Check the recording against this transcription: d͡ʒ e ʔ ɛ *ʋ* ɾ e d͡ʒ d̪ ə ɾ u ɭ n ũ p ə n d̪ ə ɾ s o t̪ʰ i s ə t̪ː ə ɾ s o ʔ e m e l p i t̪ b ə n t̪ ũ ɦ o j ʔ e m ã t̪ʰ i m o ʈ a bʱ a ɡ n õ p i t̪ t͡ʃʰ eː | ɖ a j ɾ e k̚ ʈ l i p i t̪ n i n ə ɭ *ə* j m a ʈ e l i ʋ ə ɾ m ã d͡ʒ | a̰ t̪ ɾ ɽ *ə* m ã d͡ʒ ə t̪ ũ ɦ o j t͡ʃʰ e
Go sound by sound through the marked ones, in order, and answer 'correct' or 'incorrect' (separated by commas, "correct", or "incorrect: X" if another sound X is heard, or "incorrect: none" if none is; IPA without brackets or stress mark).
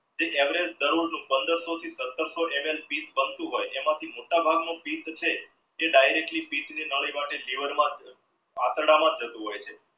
correct, correct, incorrect: a